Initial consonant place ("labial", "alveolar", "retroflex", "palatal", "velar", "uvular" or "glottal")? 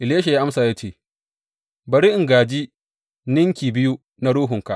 glottal